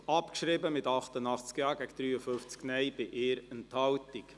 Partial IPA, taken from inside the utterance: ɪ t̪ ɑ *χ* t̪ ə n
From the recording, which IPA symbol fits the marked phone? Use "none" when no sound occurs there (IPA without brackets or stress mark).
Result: χ